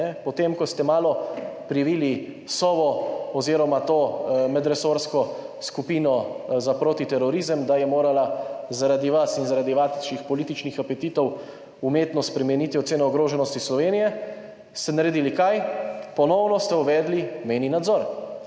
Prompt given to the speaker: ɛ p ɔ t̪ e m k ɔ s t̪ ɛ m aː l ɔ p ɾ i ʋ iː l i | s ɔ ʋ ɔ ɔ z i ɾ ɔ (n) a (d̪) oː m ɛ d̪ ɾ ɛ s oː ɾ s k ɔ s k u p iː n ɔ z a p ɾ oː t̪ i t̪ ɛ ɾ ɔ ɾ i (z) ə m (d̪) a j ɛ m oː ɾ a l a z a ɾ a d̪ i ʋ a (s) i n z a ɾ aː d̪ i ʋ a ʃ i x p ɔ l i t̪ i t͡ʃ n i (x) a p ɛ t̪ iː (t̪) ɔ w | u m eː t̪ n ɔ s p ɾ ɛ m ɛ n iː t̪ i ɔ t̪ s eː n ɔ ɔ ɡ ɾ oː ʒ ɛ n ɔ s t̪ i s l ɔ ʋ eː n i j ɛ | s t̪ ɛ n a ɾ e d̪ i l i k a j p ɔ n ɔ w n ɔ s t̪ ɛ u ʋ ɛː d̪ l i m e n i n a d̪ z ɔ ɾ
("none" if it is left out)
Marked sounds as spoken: m, t̪, z, d̪, s, x, t̪

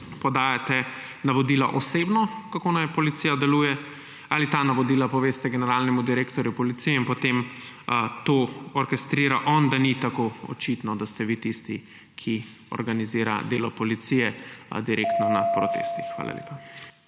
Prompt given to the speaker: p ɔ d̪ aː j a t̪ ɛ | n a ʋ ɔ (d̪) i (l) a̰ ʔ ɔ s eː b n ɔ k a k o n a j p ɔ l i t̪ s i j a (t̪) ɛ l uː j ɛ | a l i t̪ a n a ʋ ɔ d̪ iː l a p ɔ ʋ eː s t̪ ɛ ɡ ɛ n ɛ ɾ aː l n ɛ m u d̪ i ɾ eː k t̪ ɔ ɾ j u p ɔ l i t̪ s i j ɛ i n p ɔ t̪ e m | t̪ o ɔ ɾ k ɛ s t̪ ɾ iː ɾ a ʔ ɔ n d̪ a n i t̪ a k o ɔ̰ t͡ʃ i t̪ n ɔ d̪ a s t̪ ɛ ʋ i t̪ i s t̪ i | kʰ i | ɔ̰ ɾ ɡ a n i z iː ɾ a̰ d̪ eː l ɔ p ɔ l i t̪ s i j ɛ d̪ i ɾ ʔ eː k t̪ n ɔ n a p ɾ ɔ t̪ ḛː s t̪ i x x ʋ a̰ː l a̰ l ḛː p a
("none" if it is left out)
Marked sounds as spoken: d̪, l, d̪

